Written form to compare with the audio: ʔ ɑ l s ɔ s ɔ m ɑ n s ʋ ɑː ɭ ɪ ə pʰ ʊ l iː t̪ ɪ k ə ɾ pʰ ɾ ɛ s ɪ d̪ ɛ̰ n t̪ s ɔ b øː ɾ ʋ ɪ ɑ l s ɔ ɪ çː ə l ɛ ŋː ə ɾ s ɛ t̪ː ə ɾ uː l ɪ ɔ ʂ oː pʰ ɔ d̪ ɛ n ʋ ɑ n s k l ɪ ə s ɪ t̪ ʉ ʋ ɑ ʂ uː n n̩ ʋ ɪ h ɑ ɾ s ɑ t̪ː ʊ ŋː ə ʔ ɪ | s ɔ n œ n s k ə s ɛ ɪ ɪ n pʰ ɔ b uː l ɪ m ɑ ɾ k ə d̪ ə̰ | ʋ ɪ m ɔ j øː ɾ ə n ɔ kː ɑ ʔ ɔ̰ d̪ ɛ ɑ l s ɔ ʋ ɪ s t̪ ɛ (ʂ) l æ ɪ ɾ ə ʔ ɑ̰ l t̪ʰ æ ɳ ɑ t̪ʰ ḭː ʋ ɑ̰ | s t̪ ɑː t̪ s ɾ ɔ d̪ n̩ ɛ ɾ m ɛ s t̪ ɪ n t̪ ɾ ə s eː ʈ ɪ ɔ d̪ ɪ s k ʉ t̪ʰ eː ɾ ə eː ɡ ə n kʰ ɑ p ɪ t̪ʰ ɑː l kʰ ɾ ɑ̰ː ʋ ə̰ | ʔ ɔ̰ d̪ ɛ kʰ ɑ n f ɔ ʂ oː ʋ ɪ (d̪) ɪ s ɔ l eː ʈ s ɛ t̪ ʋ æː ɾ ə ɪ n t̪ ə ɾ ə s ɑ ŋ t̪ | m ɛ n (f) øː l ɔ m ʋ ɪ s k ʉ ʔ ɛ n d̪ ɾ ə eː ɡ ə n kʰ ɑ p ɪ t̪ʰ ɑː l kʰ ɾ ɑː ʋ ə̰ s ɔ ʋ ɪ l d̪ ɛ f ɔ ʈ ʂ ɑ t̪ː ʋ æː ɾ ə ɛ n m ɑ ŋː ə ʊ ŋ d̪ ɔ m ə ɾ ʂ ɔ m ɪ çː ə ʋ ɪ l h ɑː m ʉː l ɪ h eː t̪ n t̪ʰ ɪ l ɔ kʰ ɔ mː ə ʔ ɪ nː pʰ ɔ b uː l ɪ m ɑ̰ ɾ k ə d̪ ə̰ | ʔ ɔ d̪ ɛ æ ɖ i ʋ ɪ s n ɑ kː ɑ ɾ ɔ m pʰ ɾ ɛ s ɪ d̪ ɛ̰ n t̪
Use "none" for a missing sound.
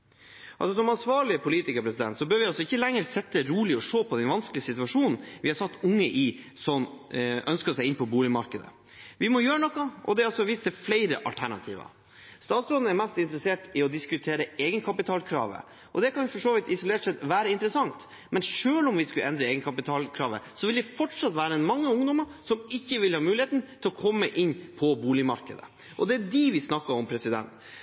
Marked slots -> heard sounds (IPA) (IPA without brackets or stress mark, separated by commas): f, t̪, ʂ